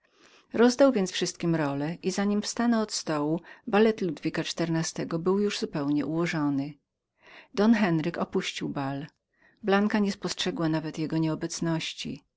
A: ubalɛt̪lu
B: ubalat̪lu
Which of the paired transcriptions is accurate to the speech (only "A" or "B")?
A